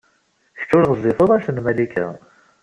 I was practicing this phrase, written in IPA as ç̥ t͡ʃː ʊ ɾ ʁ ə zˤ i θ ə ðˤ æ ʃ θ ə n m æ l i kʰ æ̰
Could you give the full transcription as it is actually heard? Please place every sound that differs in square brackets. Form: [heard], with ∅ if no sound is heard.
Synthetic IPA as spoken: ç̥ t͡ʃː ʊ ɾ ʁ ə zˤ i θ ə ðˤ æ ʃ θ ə n m æ l i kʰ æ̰